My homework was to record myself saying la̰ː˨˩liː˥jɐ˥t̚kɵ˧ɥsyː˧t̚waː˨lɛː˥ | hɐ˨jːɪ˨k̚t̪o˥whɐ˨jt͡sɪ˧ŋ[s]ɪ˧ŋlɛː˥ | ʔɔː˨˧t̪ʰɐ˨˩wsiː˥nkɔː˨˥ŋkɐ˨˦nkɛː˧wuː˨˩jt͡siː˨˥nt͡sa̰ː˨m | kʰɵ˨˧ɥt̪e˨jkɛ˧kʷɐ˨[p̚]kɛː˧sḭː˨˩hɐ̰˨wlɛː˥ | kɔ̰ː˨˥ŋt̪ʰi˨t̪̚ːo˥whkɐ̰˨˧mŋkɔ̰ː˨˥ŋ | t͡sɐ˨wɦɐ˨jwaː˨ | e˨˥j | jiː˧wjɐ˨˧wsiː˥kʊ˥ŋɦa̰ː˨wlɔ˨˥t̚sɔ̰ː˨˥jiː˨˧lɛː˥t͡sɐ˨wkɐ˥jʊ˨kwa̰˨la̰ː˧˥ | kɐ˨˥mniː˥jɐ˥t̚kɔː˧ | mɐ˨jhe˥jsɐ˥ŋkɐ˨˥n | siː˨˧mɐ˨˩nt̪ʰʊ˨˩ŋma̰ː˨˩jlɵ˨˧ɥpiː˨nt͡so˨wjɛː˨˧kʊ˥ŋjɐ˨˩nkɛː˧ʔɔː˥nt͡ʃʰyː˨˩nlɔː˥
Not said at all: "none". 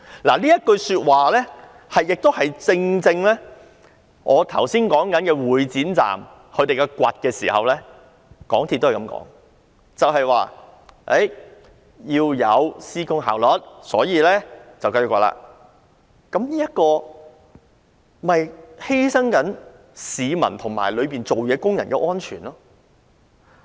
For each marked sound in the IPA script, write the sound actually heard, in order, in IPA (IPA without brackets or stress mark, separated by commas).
t͡s, t̚